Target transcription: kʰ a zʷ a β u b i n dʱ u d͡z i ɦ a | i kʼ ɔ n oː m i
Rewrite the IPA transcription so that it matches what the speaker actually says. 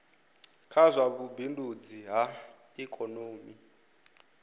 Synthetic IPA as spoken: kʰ a zʷ a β u b i n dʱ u d͡z i ɦ a | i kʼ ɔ n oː m i